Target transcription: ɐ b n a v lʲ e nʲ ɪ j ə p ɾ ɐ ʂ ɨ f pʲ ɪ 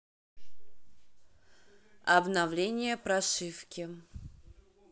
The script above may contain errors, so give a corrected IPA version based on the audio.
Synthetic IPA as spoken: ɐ b n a v lʲ e nʲ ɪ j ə p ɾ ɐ ʂ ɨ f kʲ ɪ